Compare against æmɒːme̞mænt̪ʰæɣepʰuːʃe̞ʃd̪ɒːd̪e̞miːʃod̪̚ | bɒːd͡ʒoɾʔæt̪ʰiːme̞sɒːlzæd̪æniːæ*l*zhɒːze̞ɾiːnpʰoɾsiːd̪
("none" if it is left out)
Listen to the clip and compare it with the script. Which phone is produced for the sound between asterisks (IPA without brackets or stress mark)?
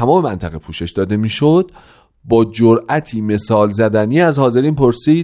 none